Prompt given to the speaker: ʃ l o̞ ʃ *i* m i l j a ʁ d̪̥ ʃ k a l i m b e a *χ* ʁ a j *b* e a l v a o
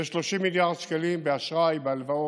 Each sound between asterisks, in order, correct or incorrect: correct, incorrect: ʃ, correct

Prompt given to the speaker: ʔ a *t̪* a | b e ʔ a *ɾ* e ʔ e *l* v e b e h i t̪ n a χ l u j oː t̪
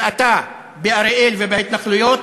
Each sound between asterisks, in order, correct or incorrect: correct, correct, correct

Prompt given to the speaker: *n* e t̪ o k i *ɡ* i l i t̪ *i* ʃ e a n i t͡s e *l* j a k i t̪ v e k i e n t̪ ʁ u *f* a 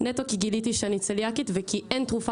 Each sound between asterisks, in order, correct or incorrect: correct, correct, correct, correct, correct

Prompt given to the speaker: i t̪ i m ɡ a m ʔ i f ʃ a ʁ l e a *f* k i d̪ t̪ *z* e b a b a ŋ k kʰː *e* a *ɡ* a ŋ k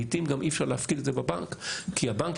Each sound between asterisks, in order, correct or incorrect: correct, correct, incorrect: i, incorrect: b

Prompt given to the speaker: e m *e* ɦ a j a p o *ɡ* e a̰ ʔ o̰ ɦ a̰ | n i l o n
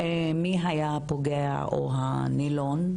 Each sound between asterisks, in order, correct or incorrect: incorrect: i, correct

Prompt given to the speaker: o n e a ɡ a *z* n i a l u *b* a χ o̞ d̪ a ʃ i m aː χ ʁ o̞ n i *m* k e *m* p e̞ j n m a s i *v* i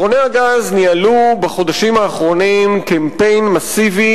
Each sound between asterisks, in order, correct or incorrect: correct, correct, correct, correct, correct

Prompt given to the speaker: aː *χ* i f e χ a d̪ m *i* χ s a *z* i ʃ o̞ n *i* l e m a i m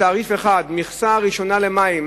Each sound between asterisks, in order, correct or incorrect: incorrect: ʁ, correct, incorrect: ʁ, incorrect: a

